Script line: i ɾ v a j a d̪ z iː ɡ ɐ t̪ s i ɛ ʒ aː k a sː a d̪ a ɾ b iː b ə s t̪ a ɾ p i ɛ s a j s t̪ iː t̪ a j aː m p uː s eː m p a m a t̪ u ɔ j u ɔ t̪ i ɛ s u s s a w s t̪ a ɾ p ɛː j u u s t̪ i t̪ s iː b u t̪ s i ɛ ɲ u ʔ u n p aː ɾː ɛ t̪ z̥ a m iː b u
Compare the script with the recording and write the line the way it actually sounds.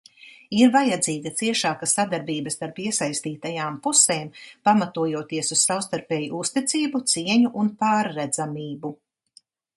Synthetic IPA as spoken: i ɾ v a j a d̪ z iː ɡ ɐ t̪ s i ɛ ʃ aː k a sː a d̪ a ɾ b iː b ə s t̪ a ɾ p i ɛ s a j s t̪ iː t̪ a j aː m p u s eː m p a m a t̪ u ɔ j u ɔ t̪ i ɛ s u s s a w s t̪ a ɾ p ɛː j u u s t̪ i t̪ s iː b u t̪ s i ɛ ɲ u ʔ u n p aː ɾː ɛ d̪ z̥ a m iː b u